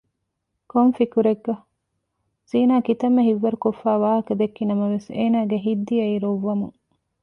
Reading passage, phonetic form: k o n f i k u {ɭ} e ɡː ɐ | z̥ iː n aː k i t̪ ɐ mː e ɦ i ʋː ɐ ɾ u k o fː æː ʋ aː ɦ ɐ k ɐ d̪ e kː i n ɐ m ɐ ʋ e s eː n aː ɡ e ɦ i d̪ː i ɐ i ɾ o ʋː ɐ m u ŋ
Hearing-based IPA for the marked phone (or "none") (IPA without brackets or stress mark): ɾ